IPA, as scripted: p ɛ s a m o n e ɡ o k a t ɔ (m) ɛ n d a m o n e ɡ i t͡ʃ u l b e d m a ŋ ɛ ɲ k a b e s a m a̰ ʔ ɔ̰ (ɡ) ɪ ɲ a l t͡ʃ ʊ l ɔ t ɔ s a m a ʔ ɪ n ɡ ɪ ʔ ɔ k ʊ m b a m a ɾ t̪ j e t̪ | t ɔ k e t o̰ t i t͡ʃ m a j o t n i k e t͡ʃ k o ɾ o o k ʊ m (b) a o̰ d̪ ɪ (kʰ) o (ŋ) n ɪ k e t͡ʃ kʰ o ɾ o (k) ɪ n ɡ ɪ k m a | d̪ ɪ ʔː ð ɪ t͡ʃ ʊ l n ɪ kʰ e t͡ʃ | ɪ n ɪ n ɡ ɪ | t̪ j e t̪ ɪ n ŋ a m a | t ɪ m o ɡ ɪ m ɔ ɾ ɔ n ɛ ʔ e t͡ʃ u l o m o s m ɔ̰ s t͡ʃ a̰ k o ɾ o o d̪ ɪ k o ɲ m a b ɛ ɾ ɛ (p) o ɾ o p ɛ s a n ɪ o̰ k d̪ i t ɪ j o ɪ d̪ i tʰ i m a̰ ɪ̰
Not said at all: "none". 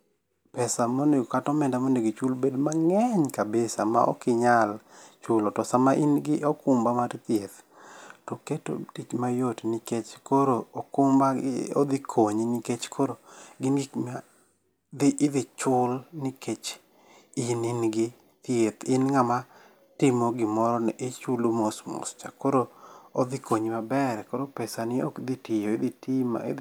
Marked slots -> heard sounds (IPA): m, k, b, kʰ, ɲ, ɡ, k

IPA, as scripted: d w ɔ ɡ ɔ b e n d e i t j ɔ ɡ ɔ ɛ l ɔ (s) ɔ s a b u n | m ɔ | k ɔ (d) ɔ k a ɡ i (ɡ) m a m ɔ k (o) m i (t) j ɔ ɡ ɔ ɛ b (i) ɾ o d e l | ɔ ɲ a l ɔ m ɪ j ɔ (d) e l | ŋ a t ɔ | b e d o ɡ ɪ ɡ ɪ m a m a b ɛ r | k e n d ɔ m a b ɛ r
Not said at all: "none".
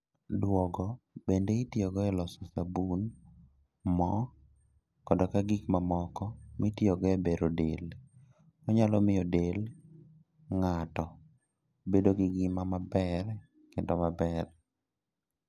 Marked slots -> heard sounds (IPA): s, d, k, ɔ, t, e, d

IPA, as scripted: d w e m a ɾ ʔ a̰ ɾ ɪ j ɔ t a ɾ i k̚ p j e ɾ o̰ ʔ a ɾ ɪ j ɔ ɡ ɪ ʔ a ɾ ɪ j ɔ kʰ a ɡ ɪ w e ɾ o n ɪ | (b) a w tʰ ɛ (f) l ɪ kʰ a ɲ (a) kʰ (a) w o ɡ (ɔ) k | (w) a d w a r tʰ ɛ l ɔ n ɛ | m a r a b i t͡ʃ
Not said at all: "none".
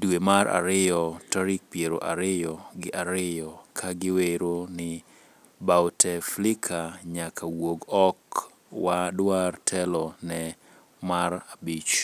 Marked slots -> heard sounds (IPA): b, f, a, a, ɔ, w

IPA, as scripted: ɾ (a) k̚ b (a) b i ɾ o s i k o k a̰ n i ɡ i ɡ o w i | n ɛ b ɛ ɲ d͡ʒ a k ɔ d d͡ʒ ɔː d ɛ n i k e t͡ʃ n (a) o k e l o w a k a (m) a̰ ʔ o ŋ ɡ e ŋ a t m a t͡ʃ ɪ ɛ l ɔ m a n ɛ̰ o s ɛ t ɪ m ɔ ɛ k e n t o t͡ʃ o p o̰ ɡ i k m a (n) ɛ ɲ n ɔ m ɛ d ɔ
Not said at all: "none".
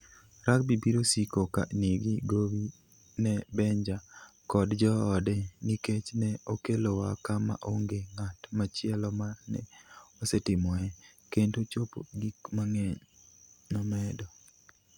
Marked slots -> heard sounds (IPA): a, i, ɛ, m, ŋ

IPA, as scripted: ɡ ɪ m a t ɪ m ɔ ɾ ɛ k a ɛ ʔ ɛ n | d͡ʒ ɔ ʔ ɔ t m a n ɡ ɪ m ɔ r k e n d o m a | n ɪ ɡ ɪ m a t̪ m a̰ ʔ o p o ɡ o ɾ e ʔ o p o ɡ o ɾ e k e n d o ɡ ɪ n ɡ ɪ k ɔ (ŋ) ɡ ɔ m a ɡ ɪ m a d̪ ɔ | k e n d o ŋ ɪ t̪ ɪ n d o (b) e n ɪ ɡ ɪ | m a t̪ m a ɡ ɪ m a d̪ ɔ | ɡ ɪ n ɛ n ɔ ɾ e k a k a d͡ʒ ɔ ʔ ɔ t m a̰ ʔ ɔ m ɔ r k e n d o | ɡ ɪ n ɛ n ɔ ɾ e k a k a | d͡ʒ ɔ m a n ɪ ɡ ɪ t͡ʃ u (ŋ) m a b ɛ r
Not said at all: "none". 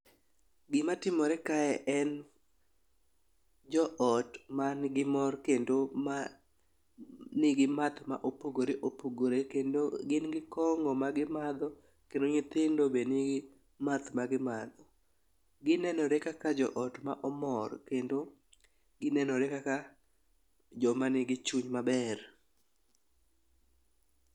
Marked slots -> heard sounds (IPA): ŋ, b, ɲ

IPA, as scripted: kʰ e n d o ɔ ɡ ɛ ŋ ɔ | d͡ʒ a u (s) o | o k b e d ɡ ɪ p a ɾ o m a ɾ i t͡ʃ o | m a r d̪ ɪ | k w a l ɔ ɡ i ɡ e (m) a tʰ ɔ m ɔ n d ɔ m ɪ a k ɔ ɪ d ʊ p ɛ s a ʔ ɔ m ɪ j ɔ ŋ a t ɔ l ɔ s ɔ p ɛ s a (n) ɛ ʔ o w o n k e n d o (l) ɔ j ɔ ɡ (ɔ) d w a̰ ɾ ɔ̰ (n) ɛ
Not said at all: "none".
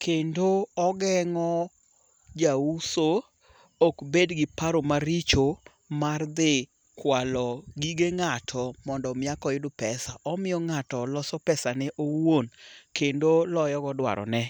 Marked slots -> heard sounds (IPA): s, ŋ, n, l, ɔ, n

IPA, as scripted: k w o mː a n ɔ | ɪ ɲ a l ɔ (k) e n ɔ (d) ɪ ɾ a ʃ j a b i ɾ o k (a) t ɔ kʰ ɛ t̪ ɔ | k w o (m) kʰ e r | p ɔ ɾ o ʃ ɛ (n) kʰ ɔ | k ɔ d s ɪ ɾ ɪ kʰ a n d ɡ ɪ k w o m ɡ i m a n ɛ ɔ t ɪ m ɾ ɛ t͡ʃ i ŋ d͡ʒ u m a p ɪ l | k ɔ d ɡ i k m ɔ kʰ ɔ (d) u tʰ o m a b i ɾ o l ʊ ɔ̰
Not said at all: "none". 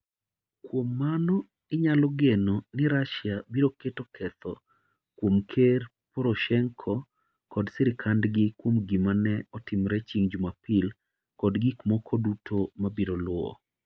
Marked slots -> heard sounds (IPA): ɡ, n, e, m, ŋ, d

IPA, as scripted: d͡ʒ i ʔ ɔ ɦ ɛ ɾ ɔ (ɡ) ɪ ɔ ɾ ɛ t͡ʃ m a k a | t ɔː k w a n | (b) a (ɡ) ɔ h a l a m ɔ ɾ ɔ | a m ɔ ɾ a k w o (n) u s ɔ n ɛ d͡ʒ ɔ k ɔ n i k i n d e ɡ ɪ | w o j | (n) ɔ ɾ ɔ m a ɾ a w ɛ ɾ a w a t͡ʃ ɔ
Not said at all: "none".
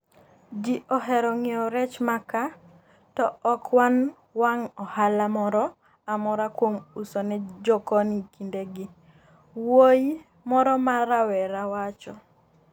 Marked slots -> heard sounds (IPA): ŋ, w, ŋ, m, m

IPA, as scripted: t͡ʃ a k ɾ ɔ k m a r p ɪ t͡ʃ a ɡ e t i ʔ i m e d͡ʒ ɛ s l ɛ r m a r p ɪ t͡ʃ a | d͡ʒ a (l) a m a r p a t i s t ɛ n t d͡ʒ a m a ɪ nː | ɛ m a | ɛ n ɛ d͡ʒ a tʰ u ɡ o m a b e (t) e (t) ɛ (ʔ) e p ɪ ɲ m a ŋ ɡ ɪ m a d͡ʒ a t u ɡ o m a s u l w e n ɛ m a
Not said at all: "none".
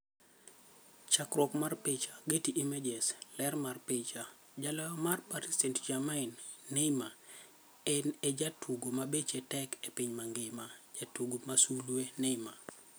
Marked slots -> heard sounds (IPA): l, t͡ʃ, t, k

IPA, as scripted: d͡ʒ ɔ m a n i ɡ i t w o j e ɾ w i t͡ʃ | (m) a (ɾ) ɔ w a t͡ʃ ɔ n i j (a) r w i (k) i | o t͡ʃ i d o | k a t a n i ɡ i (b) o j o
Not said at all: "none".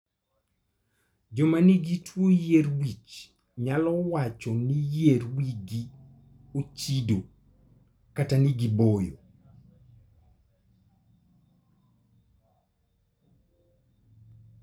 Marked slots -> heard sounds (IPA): ɲ, l, e, ɡ, b

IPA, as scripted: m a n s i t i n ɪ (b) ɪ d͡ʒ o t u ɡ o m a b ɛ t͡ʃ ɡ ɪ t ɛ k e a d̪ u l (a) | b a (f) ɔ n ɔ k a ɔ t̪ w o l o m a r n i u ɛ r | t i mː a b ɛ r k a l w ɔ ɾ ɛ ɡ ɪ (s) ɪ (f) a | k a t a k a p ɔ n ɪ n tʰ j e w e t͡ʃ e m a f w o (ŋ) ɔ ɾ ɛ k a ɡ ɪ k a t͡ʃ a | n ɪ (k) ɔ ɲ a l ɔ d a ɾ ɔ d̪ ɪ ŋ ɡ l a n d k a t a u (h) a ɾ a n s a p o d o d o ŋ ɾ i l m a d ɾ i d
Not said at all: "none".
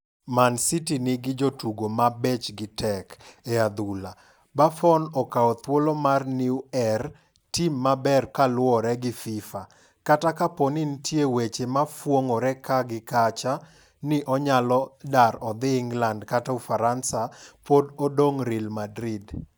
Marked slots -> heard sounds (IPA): ɡ, a, f, f, f, ŋ, ʔ, f

